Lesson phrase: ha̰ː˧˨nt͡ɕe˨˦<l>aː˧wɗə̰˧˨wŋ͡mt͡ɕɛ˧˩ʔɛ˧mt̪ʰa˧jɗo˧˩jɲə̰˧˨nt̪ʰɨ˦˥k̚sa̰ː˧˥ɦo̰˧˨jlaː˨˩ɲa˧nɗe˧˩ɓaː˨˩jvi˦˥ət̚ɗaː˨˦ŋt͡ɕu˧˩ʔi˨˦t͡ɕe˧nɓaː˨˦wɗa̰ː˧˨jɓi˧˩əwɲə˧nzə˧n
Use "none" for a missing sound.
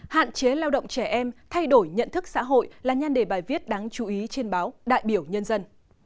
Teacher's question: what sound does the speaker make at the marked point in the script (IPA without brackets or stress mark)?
l